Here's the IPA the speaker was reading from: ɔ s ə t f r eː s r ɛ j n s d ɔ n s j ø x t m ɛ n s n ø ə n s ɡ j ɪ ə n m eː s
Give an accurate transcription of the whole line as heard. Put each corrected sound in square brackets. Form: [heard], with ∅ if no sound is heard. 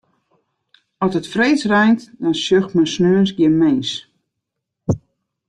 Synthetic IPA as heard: ɔ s ə t f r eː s r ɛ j n [t] d ɔ n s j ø x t m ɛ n s n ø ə n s ɡ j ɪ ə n m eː s